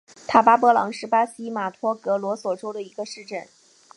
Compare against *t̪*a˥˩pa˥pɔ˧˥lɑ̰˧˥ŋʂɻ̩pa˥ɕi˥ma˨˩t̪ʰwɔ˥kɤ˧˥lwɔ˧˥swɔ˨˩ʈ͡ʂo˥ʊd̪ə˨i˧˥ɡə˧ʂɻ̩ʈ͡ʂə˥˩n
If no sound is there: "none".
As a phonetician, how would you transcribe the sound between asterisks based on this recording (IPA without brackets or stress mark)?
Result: t̪ʰ